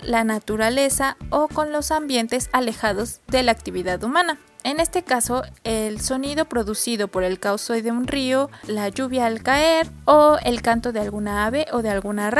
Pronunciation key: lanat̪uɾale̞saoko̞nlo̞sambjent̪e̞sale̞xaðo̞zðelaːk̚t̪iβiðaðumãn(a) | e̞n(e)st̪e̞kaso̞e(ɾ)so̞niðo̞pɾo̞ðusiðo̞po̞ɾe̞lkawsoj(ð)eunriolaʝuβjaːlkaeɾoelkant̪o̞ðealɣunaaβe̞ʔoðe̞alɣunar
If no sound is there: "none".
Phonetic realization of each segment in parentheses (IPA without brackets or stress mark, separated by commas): a, e, l, ð